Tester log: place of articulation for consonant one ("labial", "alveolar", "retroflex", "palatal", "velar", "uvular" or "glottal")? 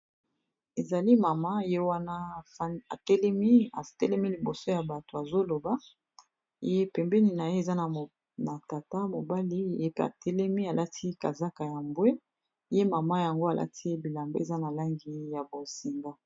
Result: alveolar